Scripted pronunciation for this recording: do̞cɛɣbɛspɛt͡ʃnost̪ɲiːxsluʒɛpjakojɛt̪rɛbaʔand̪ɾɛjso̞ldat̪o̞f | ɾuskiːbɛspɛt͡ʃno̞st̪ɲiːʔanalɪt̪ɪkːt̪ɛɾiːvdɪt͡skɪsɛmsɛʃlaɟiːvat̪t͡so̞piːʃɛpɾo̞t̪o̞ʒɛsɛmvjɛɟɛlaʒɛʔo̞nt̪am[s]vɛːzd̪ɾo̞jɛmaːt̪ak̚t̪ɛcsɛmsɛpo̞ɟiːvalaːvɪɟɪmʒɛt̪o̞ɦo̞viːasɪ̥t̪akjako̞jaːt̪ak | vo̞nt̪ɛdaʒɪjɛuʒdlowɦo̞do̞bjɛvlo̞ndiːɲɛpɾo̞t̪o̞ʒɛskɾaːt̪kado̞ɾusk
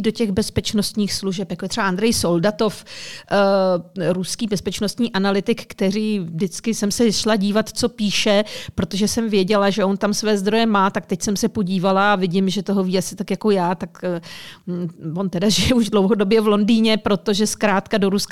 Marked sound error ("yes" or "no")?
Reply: no